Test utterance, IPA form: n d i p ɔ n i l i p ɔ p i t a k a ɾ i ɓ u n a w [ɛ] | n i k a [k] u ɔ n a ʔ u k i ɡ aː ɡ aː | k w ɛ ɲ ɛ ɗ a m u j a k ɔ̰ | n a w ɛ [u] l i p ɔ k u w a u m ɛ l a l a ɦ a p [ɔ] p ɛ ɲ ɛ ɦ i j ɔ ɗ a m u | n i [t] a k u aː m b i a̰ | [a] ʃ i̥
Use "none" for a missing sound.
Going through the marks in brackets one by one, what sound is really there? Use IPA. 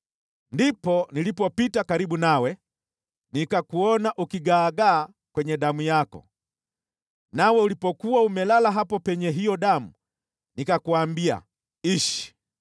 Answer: ɛ, k, u, ɔ, k, i

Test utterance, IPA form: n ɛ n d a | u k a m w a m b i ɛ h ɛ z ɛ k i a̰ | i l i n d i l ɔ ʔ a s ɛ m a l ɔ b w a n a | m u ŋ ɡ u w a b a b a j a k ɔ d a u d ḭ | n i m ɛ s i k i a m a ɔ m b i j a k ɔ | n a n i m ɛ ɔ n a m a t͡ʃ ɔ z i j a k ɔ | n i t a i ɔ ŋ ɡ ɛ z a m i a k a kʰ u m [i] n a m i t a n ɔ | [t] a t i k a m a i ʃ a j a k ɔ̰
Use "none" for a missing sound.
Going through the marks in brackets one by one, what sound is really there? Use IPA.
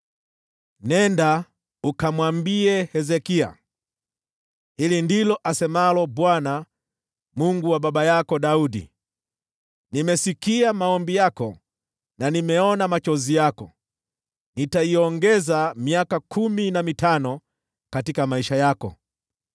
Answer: i, k

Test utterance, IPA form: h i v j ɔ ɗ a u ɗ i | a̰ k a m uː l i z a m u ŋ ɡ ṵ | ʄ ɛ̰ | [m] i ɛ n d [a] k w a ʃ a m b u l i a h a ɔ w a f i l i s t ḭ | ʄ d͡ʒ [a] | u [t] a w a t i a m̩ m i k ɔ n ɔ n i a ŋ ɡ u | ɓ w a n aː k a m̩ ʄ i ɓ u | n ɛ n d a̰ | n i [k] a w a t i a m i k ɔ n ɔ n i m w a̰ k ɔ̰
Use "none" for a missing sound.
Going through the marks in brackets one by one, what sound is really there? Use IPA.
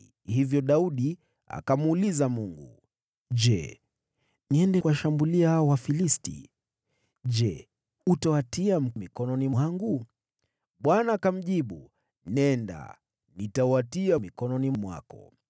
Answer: n, ɛ, ɛ, t, t

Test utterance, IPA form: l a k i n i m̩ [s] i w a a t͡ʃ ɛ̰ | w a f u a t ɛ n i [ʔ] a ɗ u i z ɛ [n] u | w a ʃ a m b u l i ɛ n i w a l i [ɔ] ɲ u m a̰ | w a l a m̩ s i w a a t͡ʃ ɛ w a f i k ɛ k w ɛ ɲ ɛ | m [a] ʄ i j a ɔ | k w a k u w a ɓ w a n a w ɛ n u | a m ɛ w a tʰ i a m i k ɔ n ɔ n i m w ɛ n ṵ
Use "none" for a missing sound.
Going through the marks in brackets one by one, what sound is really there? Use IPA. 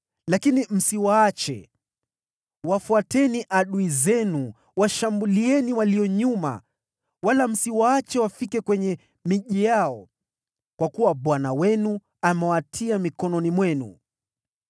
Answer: s, ʔ, n, ɔ, i

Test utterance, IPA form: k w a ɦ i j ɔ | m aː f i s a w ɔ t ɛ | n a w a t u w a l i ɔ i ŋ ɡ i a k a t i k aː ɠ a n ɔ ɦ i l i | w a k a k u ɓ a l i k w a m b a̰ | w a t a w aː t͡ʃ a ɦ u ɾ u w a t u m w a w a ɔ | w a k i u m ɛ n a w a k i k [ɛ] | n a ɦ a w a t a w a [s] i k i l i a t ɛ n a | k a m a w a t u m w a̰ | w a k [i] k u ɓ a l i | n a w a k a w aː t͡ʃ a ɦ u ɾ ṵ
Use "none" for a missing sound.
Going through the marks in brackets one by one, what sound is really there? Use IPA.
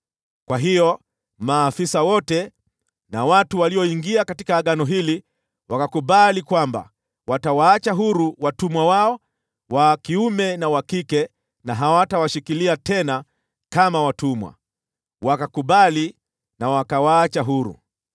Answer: ɛ, ʃ, a

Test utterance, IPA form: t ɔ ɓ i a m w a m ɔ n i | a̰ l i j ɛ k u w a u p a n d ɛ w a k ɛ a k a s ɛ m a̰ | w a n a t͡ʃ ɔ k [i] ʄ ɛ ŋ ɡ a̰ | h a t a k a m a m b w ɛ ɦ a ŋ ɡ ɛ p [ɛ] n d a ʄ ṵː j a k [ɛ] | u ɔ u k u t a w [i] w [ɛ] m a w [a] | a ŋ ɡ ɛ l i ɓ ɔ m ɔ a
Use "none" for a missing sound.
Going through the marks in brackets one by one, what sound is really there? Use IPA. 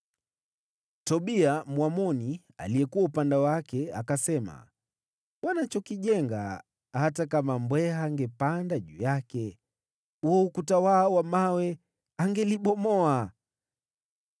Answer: i, a, ɛ, a, a, ɛ

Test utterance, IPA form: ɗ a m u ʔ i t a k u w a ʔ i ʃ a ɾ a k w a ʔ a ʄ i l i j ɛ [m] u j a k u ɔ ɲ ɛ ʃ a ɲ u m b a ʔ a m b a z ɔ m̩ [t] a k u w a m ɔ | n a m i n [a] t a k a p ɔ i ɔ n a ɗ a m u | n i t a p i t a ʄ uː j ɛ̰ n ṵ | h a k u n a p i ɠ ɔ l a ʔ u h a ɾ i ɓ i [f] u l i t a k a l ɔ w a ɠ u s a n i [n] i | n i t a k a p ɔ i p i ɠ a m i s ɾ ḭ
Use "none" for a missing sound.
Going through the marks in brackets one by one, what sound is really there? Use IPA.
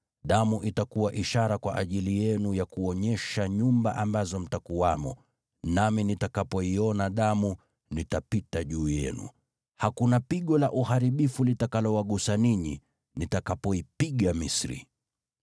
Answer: n, t, i, f, ɲ

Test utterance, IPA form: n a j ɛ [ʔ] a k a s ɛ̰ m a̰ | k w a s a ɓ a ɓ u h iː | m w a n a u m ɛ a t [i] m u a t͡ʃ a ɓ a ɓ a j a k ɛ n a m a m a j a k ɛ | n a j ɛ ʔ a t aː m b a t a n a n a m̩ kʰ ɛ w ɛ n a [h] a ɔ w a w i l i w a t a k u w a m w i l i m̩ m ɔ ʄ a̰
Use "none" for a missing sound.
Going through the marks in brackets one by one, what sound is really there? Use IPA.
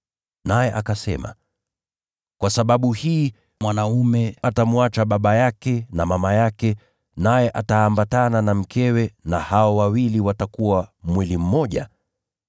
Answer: ʔ, a, h

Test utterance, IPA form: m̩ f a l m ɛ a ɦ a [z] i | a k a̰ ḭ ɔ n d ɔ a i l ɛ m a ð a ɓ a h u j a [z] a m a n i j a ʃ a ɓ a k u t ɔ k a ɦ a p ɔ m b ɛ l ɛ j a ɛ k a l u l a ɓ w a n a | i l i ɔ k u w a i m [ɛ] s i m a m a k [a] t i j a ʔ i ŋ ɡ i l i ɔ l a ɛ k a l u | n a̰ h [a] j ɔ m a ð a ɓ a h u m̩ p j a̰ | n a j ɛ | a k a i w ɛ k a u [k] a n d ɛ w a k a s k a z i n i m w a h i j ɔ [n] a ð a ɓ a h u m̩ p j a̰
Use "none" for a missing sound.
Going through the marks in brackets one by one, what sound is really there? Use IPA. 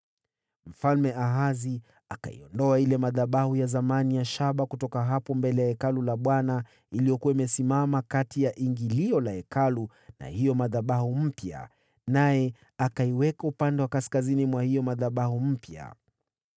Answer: z, z, ɛ, a, i, p, m

